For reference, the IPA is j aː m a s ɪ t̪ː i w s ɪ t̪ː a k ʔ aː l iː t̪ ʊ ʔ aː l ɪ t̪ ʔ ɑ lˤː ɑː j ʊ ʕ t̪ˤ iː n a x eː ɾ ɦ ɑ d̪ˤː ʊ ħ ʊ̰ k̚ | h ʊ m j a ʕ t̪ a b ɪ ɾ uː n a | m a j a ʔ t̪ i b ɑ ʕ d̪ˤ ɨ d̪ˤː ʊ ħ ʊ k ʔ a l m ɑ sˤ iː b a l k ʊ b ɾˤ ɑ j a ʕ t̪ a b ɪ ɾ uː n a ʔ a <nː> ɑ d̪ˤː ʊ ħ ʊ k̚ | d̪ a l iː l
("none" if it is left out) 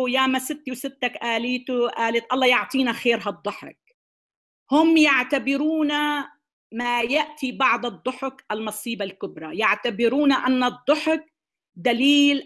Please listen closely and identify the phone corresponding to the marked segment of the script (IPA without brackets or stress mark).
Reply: nː